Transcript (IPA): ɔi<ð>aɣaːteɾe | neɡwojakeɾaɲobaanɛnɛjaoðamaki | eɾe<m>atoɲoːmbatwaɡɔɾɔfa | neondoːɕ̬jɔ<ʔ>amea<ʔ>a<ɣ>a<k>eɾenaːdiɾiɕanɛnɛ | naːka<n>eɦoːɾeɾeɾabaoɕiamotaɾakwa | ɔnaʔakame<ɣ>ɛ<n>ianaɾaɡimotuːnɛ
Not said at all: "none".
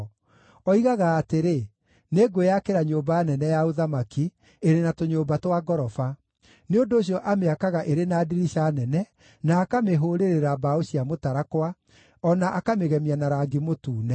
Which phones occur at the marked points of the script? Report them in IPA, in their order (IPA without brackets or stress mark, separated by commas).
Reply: ɣ, n, ʔ, k, ɣ, ʔ, m, ɣ, m